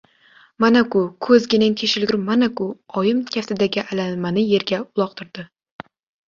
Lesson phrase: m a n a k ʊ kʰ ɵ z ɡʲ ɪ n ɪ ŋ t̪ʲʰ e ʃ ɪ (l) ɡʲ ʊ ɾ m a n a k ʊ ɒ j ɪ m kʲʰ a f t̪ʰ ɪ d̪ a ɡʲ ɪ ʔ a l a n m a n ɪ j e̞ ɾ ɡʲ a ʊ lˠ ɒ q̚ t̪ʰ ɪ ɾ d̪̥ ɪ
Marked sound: correct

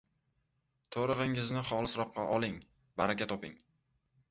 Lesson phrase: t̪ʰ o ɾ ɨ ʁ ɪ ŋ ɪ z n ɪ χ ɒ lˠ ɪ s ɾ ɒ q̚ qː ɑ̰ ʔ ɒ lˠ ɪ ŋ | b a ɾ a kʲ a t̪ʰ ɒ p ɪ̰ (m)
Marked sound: incorrect: ŋ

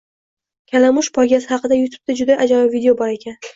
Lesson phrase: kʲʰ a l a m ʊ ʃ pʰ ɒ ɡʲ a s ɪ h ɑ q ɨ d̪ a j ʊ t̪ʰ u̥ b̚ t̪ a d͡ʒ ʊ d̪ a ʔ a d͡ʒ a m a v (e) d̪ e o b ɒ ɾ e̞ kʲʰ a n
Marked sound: incorrect: i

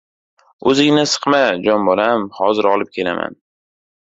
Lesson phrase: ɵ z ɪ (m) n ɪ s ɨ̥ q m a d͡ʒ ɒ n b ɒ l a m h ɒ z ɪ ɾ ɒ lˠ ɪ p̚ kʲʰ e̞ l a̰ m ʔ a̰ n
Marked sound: incorrect: ŋ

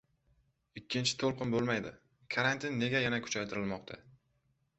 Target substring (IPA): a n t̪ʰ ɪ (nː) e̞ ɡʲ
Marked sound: correct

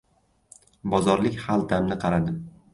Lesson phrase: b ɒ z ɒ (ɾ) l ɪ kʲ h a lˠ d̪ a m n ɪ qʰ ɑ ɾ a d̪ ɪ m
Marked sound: correct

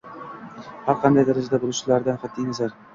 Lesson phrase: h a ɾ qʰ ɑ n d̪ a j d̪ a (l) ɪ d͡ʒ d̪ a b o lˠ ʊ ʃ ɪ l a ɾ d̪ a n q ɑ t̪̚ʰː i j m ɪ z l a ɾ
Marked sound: incorrect: ɾ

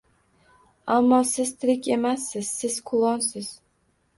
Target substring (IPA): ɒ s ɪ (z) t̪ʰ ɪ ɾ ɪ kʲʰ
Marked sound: correct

